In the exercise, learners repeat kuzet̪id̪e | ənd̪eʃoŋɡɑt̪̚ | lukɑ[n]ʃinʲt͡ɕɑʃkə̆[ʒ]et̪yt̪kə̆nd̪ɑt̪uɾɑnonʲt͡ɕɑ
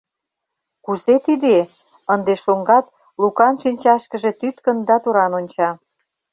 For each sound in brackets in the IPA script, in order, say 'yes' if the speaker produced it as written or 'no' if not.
yes, yes

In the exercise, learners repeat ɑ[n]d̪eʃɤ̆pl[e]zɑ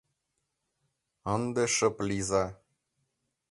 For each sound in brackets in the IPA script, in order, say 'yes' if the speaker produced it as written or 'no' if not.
yes, no

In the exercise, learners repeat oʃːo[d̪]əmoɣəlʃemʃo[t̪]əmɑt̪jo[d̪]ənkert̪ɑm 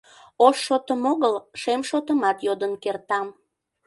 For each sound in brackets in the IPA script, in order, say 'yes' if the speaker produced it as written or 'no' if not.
no, yes, yes

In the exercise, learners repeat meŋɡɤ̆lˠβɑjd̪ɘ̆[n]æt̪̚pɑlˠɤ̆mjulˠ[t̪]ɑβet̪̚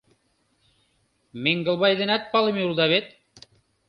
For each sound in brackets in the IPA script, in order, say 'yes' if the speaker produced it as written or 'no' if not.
yes, no

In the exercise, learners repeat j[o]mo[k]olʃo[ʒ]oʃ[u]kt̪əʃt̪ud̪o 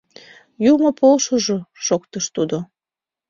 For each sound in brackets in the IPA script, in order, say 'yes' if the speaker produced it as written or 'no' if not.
no, no, yes, no

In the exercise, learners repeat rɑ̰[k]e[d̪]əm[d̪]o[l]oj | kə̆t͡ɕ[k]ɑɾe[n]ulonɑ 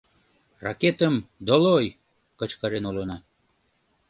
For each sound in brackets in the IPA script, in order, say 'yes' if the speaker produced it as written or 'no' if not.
yes, no, yes, yes, yes, yes

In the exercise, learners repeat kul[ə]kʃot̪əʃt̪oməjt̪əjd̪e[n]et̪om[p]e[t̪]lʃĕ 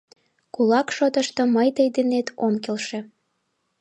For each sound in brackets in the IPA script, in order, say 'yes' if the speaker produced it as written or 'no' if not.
no, yes, no, no

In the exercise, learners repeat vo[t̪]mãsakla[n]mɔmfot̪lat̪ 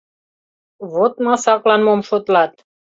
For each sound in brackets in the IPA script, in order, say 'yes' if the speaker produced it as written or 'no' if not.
yes, yes

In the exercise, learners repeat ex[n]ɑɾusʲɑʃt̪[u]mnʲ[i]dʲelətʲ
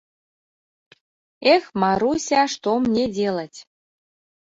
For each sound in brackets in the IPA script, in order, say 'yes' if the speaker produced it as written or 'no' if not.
no, no, no

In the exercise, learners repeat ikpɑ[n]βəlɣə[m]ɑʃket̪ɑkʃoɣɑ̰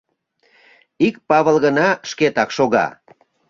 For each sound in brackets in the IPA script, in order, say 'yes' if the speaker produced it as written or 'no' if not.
no, no

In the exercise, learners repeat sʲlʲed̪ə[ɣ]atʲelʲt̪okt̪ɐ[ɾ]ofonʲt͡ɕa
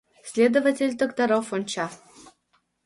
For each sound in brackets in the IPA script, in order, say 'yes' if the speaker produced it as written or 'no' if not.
no, yes

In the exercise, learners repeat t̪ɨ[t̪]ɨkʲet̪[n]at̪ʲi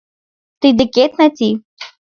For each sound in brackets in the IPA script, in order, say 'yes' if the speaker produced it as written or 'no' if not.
no, yes

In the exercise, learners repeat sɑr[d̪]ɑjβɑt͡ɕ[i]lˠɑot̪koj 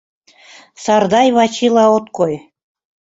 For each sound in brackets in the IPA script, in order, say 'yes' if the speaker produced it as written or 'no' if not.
yes, yes

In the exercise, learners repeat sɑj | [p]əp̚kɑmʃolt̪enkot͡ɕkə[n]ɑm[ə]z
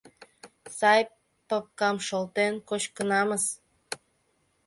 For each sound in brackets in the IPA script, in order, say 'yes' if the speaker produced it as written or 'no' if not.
yes, yes, yes

